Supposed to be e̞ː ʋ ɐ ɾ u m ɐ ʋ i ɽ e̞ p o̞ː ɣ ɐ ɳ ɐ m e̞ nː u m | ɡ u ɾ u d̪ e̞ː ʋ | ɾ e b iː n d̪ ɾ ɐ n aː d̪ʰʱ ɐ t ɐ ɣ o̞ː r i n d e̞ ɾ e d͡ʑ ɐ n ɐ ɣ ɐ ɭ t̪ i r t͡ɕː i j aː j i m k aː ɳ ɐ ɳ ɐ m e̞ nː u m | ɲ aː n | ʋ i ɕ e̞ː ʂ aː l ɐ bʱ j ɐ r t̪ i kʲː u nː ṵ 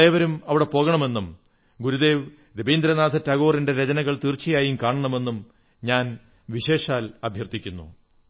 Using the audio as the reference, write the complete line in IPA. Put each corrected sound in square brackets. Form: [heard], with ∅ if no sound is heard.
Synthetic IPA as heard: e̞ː ʋ ɐ ɾ u m ɐ ʋ i ɽ e̞ p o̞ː ɣ ɐ ɳ ɐ m e̞ nː u m | ɡ u ɾ u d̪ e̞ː ʋ | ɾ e b iː n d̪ ɾ ɐ n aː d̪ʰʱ ɐ t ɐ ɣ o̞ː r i n d e̞ ɾ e d͡ʑ ɐ n ɐ ɣ ɐ ɭ t̪ i r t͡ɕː i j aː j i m k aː ɳ ɐ ɳ ɐ m e̞ nː u m | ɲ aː n | ʋ i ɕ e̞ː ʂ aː l ɐ bʱ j ɐ r t̪ i kʲː u nː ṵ